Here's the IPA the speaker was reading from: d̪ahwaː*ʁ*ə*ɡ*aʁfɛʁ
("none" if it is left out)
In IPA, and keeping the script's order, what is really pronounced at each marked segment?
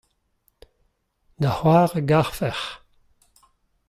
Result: ʁ, ɡ

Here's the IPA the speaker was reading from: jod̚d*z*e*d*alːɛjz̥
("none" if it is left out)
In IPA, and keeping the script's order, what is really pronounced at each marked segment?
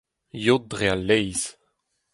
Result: ʁ, none

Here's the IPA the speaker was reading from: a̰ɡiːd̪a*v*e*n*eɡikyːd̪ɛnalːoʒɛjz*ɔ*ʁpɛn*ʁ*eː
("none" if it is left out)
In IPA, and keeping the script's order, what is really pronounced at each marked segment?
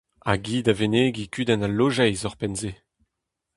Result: v, n, ɔ, z

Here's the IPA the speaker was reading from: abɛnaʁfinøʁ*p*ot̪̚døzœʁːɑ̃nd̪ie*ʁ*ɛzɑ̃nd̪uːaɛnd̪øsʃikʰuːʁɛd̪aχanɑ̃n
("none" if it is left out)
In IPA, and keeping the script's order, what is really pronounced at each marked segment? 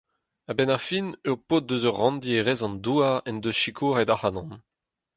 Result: p, ʁ

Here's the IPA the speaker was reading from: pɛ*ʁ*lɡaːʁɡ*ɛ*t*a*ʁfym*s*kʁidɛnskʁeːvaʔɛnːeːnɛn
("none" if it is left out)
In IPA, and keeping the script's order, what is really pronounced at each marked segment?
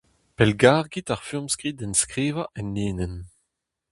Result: none, i, a, s

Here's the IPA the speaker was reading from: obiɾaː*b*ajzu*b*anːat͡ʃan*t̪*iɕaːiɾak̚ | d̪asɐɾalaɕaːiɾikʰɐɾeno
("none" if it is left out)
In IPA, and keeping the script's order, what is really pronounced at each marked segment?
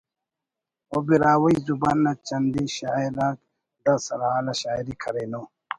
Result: w, b, d̪

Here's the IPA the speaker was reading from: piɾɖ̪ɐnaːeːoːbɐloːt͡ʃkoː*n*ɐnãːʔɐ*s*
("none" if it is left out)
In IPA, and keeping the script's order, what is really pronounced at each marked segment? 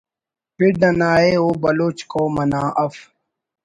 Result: m, f

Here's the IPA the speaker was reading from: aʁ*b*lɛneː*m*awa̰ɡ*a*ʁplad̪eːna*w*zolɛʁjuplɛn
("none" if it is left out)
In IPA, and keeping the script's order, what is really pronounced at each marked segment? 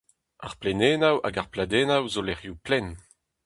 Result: p, n, a, w

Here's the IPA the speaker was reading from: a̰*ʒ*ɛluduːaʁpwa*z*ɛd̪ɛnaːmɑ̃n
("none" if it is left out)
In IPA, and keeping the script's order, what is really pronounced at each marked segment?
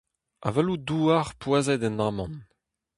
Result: v, z

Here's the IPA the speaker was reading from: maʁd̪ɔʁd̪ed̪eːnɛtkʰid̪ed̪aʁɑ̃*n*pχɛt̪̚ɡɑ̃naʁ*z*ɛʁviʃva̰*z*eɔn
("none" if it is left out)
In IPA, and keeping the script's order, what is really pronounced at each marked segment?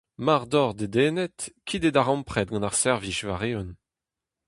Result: m, s, ʁ

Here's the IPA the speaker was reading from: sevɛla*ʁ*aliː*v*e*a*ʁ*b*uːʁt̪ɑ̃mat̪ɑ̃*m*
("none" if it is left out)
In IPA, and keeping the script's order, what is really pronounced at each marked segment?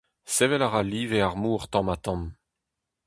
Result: ʁ, v, a, m, m

